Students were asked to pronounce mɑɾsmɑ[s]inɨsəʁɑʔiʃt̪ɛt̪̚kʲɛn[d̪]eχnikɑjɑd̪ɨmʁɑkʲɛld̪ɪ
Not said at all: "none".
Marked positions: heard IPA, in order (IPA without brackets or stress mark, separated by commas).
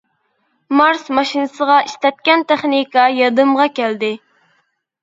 ʃ, t̪